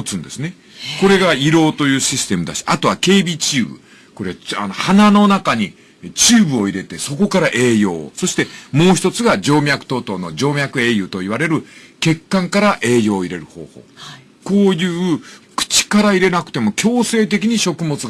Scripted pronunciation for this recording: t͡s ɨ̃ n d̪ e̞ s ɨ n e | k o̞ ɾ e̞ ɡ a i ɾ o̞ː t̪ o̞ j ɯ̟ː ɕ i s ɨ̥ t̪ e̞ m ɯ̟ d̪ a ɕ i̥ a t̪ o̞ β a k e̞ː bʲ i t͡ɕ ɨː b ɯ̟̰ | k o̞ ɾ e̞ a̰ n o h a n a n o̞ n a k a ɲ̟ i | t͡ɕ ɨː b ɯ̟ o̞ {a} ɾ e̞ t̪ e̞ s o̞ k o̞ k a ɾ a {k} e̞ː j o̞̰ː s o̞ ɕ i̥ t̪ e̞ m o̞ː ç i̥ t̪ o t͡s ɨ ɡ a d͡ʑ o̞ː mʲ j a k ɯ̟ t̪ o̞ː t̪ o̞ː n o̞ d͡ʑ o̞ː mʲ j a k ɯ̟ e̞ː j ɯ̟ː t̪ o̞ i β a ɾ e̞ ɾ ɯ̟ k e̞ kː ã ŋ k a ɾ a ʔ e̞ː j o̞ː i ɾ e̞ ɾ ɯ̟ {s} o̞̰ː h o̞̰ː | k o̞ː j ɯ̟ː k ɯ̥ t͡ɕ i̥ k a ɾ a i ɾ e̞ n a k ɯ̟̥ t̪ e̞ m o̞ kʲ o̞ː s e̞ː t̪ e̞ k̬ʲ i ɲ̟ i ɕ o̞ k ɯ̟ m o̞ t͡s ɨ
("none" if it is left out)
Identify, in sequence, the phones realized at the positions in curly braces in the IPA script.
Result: i, ʔ, h

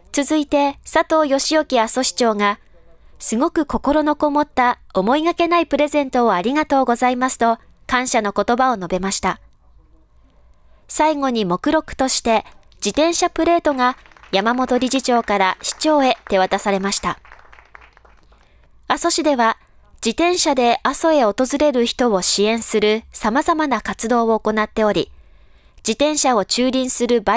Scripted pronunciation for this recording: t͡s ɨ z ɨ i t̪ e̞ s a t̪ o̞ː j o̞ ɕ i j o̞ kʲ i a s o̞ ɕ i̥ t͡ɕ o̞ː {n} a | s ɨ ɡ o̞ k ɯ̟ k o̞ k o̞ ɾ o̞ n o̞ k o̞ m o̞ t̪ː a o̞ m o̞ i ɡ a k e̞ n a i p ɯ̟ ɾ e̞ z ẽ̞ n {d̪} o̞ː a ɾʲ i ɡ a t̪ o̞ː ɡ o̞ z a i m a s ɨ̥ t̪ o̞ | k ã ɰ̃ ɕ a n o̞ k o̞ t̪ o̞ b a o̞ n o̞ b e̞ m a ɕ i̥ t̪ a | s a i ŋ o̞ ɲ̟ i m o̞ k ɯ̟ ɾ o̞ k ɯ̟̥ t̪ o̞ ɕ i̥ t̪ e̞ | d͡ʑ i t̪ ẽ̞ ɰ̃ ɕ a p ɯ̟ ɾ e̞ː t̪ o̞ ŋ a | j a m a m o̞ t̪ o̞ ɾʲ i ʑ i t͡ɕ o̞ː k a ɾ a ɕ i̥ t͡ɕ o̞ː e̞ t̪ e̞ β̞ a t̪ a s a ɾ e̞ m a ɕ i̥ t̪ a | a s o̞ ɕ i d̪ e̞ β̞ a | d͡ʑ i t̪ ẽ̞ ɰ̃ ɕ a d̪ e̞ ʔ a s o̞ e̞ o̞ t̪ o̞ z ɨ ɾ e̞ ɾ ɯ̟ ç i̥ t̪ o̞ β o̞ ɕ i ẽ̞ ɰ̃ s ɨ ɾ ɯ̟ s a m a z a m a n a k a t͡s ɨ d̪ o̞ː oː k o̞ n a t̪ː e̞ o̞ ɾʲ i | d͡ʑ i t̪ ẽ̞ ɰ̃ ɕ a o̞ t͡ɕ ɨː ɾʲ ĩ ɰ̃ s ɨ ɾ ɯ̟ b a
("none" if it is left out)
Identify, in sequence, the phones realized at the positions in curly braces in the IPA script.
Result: ŋ, t̪

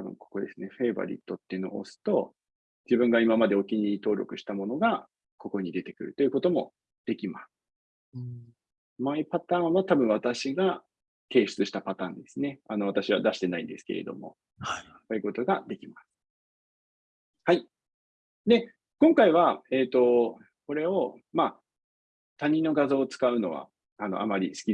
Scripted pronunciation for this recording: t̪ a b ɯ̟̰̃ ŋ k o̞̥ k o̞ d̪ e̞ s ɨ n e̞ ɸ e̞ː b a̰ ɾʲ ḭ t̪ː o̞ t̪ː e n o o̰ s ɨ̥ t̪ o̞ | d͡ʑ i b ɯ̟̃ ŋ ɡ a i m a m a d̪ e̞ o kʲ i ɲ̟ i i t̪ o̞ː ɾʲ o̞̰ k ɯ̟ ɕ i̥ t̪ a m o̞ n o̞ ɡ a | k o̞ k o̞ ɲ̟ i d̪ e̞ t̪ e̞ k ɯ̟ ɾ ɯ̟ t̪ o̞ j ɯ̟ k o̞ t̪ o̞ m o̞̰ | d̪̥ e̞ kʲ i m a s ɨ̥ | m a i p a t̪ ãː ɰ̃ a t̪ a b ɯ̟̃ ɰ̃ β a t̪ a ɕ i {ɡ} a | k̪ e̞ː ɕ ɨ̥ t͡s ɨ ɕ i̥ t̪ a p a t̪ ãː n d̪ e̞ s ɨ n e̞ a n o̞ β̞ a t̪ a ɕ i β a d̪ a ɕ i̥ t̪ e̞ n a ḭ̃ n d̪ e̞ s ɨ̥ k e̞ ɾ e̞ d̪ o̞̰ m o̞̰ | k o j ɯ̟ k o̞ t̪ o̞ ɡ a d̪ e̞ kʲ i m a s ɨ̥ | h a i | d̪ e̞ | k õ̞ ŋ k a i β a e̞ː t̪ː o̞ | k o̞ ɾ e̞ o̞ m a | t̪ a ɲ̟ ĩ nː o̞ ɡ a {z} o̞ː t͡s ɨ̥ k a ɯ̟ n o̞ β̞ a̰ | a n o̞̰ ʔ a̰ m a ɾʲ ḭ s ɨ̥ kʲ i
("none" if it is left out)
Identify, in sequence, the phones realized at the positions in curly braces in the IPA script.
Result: ɡ, z

